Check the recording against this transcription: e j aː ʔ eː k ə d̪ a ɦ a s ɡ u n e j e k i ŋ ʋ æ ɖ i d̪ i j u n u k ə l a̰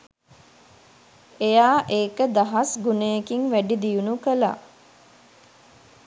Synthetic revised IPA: e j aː ʔ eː k ə d̪ a ɦ a s ɡ u n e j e k i ŋ ʋ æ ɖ i d̪ i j u n u k ə l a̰